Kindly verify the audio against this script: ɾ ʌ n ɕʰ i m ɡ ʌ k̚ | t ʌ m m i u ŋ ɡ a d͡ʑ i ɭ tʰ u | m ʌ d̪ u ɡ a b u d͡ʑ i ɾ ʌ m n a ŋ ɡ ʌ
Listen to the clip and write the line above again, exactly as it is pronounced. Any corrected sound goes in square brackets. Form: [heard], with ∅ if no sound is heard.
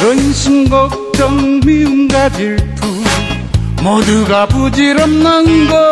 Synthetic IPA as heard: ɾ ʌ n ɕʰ i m ɡ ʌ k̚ | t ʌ [ŋ] m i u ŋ ɡ a d͡ʑ i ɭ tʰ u | m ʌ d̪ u ɡ a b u d͡ʑ i ɾ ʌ m n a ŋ ɡ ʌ